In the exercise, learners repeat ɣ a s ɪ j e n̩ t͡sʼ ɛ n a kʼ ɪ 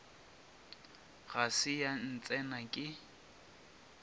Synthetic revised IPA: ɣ a s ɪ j a n̩ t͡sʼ ɛ n a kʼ ɪ